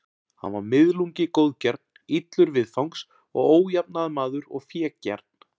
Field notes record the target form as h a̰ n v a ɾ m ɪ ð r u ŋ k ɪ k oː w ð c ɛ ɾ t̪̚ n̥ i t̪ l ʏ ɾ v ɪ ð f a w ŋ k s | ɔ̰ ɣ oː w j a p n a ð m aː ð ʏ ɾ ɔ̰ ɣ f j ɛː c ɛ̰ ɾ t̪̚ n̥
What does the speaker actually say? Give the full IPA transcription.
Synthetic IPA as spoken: h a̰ n v a ɾ m ɪ ð l u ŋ c ɪ k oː w ð c ɛ ɾ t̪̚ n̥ i t̪ l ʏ ɾ v ɪ ð f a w ŋ k s | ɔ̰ ɣ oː w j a p n a ð m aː ð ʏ ɾ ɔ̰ ɣ f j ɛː c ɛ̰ ɾ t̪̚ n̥